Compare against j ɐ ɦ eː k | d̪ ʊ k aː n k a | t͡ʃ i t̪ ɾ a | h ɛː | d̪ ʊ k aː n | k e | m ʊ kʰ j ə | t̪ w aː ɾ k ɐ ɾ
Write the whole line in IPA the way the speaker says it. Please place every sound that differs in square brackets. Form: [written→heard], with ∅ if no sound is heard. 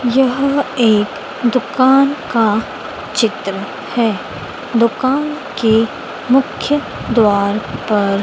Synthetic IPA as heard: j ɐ ɦ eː k | d̪ ʊ k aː n k a | t͡ʃ [i→ɪ] t̪ ɾ [a→ə] | h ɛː | d̪ ʊ k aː n | k e | m ʊ kʰ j ə | [t̪→d̪] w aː ɾ [k→p] ɐ ɾ